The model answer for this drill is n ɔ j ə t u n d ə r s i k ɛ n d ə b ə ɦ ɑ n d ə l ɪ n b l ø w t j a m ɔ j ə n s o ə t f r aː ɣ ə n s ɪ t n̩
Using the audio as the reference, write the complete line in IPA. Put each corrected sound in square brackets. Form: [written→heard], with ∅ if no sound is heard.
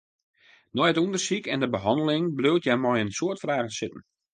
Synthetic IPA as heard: n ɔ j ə t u n d ə r s i k ɛ n d ə b ə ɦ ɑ n d ə l ɪ [n→ŋ] b l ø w t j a m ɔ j ə n s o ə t f r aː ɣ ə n s ɪ t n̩